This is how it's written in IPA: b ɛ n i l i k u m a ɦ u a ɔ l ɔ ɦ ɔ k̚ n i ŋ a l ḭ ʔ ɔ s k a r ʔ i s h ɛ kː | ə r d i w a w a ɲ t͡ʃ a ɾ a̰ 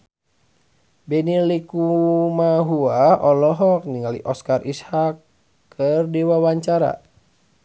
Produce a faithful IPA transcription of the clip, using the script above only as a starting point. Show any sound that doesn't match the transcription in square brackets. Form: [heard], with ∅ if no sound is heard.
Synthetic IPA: b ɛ n i l i k u m a ɦ u a ɔ l ɔ ɦ ɔ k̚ n i ŋ a l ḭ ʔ ɔ s k a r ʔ i s h [a] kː | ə r d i w a w a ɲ t͡ʃ a ɾ a̰